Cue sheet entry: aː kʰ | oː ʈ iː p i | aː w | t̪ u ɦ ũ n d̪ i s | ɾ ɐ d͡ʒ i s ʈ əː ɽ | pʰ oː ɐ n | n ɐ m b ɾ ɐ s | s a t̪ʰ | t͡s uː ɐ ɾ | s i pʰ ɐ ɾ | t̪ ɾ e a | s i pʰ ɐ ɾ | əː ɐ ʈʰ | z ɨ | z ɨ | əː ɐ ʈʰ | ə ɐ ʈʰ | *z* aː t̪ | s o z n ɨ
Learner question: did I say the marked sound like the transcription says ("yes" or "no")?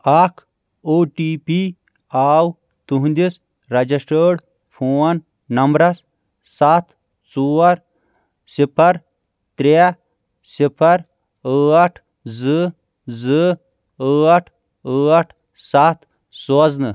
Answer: no